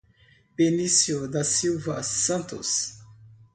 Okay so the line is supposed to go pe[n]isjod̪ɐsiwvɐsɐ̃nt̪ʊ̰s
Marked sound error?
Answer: no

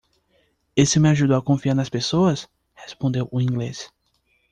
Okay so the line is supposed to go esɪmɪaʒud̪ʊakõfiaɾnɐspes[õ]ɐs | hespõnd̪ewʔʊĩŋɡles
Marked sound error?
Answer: yes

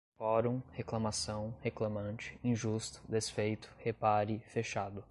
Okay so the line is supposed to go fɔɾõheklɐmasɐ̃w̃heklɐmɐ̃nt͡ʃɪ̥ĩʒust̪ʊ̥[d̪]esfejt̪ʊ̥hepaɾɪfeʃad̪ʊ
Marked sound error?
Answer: no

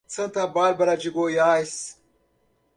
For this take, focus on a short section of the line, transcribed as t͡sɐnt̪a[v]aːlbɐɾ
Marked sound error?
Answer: yes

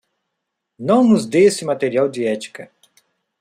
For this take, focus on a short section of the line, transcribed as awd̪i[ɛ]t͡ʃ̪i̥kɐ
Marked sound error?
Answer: no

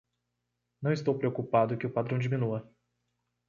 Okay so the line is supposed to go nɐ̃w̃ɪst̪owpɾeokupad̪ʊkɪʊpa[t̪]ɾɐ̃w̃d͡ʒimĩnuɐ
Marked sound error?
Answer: yes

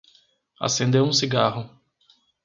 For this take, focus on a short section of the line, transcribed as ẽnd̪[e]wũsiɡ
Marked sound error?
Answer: no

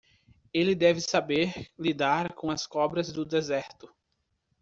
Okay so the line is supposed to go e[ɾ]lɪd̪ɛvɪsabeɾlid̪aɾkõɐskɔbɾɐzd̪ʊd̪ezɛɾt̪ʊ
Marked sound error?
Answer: yes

